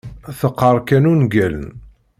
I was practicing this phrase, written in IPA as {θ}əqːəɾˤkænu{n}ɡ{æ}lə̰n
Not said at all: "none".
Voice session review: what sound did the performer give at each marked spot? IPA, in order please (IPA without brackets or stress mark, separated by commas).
θ, n, æ